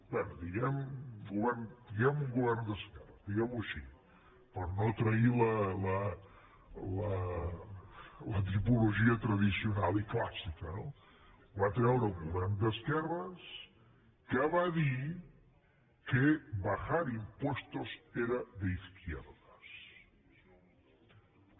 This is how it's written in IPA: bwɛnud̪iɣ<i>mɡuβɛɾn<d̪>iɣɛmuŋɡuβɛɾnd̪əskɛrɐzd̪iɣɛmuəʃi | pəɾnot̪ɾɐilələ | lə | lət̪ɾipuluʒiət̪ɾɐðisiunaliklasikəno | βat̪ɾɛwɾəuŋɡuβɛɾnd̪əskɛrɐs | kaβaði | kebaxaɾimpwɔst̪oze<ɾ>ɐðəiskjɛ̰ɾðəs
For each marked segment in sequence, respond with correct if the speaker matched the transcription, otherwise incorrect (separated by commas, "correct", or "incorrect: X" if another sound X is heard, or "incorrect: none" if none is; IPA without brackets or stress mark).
incorrect: ɛ, correct, correct